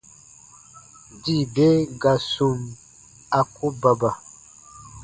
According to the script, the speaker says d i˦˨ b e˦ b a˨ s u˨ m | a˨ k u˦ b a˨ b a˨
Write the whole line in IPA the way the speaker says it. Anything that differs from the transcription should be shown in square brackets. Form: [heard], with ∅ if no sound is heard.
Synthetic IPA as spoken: d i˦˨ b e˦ [ɡ] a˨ s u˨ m | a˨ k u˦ b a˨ b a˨